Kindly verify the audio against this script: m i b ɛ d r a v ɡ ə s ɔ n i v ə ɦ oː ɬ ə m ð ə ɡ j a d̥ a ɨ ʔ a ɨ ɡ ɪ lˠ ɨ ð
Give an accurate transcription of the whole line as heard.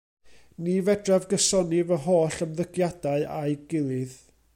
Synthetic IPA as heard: n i v ɛ d r a v ɡ ə s ɔ n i v ə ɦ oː ɬ ə m ð ə ɡ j a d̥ a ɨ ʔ a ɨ ɡ ɪ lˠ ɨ ð